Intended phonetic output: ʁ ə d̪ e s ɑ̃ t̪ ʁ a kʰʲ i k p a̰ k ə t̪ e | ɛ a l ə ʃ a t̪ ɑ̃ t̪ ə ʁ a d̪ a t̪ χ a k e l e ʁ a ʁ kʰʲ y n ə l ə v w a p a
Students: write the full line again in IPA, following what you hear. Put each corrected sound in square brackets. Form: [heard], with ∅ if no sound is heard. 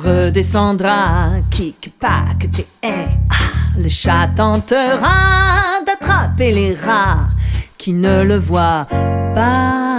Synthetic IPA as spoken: ʁ ə d̪ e s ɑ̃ [d̪] ʁ a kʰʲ i k p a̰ k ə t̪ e | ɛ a l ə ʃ a t̪ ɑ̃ t̪ ə ʁ a d̪ a t̪ χ a [p] e l e ʁ a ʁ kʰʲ [i] n ə l ə v w a p a